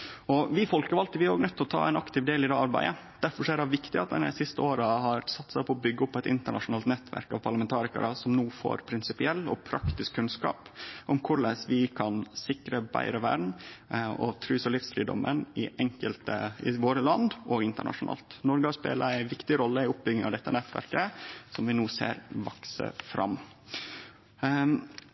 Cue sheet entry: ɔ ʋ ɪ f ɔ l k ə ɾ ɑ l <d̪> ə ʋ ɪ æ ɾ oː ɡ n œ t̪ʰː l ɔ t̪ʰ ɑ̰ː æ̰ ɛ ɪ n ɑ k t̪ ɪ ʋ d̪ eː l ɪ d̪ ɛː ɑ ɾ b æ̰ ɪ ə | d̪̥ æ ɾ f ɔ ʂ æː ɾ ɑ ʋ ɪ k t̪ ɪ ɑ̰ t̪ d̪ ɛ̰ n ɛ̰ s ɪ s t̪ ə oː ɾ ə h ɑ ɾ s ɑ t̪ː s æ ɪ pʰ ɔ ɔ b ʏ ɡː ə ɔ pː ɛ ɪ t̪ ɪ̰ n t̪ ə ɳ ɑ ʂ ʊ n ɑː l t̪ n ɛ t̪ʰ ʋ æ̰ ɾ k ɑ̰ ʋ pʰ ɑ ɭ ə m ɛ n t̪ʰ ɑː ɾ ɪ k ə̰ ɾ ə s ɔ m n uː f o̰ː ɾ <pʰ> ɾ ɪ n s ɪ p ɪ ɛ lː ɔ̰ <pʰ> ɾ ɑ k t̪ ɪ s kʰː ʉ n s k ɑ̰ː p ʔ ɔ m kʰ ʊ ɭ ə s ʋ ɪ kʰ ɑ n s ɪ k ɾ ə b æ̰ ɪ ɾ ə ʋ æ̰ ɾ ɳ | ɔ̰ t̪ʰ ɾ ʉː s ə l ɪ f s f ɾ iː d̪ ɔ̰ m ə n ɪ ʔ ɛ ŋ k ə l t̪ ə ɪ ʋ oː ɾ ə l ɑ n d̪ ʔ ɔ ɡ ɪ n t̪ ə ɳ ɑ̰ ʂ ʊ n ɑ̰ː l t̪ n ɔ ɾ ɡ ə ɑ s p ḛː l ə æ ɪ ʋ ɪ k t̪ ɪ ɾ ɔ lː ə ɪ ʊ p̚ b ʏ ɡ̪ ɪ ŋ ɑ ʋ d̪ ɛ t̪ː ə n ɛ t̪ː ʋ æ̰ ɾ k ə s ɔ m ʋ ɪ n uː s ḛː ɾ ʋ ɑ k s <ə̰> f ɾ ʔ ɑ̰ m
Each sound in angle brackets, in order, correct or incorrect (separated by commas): incorrect, correct, correct, correct